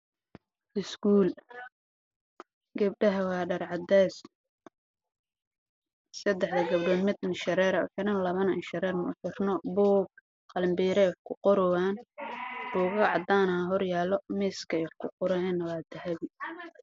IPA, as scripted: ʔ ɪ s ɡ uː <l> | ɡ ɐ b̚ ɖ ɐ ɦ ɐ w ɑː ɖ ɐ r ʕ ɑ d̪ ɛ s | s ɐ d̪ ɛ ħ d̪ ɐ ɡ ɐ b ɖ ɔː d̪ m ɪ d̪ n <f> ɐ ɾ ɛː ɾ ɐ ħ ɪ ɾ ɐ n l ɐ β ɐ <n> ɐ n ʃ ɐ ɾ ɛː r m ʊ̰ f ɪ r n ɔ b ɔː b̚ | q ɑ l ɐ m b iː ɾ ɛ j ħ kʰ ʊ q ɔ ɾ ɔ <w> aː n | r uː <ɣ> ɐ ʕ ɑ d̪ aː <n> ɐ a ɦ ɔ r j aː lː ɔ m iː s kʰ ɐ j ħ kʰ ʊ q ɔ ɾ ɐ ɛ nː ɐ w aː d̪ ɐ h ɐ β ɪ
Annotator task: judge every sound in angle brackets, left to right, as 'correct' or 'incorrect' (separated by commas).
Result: correct, incorrect, correct, correct, correct, correct